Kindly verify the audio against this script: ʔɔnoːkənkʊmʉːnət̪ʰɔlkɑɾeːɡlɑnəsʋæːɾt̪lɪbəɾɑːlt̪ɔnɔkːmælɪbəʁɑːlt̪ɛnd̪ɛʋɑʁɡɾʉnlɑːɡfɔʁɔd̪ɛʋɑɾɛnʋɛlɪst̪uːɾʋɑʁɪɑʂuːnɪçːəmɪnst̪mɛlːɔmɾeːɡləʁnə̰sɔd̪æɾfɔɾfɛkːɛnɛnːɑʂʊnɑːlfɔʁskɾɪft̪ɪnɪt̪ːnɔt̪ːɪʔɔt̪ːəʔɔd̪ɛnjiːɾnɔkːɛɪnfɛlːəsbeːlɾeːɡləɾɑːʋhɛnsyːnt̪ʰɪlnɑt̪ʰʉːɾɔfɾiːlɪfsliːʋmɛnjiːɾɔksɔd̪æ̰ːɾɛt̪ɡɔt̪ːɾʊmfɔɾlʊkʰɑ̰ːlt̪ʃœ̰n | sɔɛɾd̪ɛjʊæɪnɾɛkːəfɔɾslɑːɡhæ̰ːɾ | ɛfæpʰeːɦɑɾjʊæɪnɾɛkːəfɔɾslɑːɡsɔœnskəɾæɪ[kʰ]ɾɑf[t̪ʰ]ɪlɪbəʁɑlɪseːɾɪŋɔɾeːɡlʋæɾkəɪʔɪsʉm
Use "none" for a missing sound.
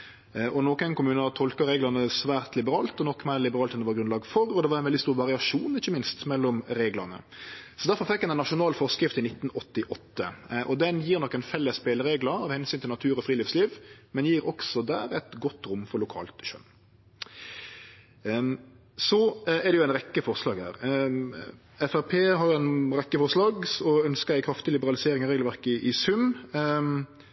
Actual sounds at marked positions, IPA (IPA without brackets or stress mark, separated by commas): kʰ, t̪